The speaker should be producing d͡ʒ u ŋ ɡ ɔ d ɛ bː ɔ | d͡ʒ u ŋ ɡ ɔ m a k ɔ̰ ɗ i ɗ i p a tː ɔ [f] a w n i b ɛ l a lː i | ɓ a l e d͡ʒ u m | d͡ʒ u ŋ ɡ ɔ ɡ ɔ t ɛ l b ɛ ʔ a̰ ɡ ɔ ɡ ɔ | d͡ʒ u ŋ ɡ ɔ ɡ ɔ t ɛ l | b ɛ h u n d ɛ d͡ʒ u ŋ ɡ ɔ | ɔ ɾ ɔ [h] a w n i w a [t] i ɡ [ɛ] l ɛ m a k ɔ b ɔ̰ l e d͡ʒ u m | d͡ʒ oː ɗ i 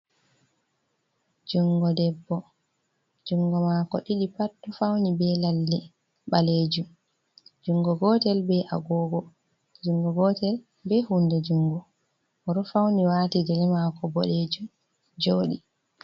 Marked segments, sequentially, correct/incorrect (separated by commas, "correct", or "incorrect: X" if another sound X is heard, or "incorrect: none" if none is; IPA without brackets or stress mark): correct, incorrect: f, correct, correct